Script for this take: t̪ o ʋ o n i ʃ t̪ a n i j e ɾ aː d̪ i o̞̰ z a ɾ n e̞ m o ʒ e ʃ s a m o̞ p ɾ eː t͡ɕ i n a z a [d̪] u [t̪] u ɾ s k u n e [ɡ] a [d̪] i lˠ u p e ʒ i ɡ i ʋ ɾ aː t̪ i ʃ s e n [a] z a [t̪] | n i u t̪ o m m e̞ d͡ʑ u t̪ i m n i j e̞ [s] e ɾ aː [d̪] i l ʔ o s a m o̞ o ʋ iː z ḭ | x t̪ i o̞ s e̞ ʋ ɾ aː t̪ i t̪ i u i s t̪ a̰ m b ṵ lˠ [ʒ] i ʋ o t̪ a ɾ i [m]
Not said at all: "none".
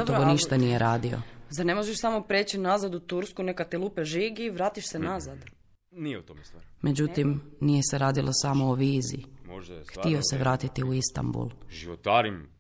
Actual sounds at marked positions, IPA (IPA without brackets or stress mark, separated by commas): d̪, t̪, k, t̪, a, d̪, s, d̪, ʒ, m